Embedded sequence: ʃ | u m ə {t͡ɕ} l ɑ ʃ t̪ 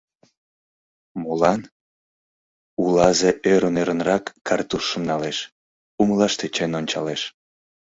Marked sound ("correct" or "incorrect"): incorrect